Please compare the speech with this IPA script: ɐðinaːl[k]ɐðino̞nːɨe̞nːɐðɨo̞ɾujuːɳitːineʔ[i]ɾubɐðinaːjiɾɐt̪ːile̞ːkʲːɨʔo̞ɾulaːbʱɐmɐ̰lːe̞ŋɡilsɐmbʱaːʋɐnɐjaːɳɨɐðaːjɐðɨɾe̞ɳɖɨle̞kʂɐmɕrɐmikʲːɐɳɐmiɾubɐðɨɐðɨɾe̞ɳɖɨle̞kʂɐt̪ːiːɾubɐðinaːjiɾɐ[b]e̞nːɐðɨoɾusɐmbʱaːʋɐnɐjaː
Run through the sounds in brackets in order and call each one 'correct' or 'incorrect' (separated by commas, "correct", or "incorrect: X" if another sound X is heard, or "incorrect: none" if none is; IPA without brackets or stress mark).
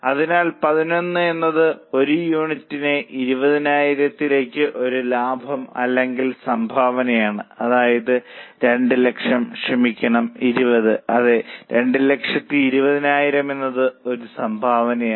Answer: incorrect: p, correct, incorrect: m